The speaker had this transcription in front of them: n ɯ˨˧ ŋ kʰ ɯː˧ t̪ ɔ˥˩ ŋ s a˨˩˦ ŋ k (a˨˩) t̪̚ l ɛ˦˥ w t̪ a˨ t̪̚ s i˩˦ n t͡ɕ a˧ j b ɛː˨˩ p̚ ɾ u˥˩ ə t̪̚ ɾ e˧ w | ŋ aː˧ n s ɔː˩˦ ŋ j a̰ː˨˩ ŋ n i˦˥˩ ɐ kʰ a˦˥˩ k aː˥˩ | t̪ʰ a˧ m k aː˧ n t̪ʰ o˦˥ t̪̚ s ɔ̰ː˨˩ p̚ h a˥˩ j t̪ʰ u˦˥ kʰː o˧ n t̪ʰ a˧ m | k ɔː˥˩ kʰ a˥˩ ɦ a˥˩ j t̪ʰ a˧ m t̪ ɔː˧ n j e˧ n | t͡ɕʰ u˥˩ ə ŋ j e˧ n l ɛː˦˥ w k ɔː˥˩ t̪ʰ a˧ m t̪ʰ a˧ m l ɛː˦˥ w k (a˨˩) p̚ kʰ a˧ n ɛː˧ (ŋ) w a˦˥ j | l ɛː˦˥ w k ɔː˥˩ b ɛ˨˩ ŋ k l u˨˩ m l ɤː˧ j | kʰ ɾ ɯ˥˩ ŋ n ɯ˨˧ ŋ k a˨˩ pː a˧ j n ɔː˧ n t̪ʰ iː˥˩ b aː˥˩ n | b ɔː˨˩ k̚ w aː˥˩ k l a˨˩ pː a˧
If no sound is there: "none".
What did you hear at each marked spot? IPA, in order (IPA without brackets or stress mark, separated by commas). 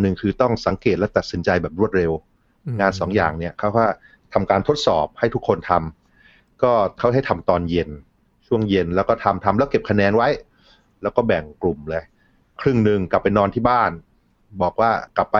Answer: e˨˩, e˨˩, n